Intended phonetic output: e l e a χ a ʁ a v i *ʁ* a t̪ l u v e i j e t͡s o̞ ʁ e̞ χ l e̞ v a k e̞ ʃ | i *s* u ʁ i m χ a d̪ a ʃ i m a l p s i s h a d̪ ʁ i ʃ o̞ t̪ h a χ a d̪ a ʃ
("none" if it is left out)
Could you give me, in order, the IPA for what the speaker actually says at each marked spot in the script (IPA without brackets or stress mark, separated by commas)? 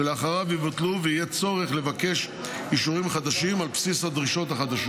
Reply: v, ʃ